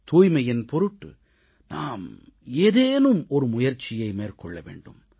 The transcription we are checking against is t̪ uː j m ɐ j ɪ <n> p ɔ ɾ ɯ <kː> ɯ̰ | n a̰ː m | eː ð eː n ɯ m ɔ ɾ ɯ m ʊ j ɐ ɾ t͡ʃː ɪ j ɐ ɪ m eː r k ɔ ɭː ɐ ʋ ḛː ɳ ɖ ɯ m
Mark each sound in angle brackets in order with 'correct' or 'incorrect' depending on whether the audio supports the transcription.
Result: correct, incorrect: ʈː

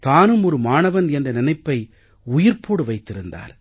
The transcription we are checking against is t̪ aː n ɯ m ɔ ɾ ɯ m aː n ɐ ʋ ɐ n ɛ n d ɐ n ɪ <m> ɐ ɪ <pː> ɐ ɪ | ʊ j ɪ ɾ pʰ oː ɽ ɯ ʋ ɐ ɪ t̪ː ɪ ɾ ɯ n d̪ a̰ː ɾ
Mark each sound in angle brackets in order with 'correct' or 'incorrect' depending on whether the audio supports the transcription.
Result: incorrect: n, correct

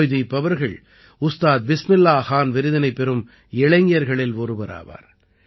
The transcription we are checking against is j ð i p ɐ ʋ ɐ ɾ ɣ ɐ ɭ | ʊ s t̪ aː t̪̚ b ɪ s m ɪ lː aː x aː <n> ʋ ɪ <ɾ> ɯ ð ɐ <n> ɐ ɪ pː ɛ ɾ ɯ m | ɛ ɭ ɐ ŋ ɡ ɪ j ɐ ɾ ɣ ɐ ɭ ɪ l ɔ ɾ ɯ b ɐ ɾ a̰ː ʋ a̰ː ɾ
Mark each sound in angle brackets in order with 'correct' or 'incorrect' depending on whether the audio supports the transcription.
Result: correct, correct, correct

